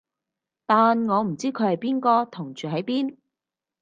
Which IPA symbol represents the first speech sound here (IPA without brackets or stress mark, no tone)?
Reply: t̪